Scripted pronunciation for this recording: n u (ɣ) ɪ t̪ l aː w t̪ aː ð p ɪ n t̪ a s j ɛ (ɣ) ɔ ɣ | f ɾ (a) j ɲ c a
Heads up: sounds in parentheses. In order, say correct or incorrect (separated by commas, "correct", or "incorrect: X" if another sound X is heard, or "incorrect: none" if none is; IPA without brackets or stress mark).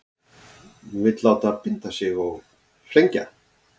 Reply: incorrect: v, correct, incorrect: e